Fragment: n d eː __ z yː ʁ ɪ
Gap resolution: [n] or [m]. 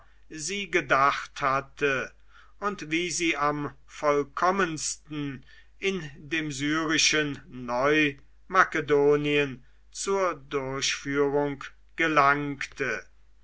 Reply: m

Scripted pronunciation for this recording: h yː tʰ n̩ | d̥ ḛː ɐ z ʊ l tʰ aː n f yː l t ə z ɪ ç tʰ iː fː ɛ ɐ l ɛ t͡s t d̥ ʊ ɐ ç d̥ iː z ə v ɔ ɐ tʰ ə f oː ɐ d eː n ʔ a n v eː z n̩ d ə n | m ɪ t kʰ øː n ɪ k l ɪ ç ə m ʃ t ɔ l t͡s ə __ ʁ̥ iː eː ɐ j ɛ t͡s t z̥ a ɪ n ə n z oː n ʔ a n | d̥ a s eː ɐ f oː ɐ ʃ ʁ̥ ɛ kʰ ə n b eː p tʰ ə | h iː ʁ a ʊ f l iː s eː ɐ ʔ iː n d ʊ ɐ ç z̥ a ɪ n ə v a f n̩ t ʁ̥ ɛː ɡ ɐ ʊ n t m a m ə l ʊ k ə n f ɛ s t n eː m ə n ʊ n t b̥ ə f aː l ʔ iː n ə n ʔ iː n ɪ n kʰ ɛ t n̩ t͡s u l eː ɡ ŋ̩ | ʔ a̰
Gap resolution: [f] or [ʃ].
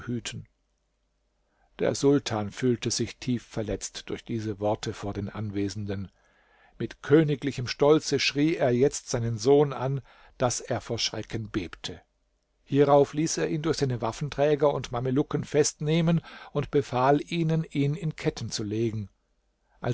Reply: ʃ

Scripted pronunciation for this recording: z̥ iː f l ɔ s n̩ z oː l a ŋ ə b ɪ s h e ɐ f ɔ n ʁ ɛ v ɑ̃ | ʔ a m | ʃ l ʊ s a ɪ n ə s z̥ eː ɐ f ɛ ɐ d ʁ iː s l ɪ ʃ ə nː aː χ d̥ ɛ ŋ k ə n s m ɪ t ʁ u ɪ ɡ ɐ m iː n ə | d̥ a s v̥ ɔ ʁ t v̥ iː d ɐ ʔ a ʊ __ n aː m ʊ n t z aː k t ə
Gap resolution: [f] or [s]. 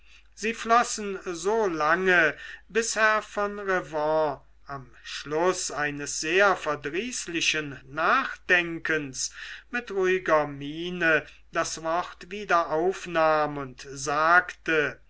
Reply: f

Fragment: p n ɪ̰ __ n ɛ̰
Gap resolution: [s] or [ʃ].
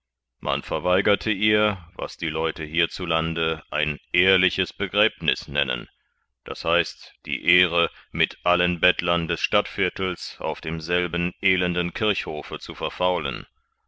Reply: s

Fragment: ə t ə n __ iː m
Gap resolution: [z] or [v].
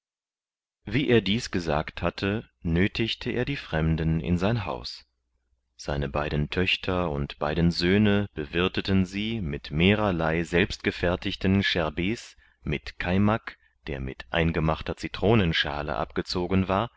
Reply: z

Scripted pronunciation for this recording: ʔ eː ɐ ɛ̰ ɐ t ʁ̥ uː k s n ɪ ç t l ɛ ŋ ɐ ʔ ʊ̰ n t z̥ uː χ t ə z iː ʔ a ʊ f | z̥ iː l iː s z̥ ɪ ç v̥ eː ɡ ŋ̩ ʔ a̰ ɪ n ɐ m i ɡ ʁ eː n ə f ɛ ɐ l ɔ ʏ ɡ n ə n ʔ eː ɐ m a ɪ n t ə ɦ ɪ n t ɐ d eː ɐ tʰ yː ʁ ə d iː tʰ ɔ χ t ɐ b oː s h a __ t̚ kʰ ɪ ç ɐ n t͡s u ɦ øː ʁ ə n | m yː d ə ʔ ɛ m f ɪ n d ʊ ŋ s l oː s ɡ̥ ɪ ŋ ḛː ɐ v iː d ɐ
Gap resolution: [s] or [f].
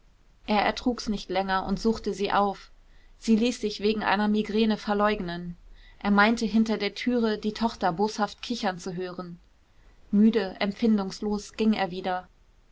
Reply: f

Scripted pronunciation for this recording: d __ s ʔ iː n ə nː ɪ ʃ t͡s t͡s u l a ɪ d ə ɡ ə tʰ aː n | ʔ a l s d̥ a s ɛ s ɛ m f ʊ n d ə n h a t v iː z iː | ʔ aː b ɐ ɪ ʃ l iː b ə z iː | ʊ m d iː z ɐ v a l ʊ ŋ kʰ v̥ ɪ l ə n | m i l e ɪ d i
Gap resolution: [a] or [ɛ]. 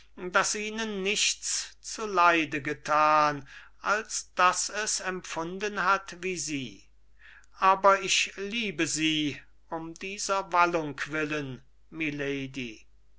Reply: a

